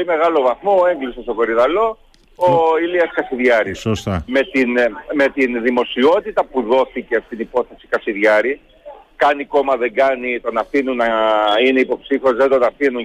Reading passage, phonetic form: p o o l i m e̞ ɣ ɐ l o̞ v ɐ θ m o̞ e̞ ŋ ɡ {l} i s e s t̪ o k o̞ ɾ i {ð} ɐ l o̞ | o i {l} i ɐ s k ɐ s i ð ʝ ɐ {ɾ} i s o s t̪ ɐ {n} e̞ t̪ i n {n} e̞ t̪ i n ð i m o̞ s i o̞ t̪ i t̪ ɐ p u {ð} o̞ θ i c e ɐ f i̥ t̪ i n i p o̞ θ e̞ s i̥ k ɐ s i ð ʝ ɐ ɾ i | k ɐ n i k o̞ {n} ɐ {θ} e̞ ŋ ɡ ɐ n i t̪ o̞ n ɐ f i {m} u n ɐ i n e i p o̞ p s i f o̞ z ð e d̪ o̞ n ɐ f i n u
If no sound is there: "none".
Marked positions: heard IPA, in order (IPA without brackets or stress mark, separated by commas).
l, ð, l, ɾ, m, m, ð, m, ð, n